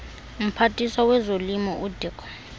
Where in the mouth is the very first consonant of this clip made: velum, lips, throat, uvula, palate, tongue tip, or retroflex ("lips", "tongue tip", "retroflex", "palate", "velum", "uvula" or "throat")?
lips